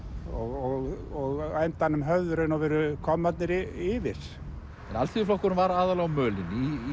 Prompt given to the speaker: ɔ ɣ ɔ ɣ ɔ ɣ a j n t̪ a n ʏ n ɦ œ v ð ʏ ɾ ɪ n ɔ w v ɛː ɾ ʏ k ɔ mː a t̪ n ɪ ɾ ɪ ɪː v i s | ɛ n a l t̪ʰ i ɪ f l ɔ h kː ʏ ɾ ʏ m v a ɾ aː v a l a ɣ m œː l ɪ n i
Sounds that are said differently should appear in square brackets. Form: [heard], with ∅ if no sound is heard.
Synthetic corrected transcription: ɔ ɣ ɔ ɣ ɔ ɣ a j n t̪ a n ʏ [m] ɦ œ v ð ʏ ɾ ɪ n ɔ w v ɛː ɾ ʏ [kʰ] ɔ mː a t̪ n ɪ ɾ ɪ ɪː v [ɪ] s | ɛ n a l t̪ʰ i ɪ f l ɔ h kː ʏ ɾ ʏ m v a ɾ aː [ð] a l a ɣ m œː l ɪ n i